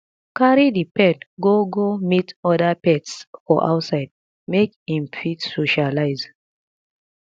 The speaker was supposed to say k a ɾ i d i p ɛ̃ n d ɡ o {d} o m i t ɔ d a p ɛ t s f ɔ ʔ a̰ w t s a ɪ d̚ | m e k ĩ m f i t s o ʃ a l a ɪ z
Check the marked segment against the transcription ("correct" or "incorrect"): incorrect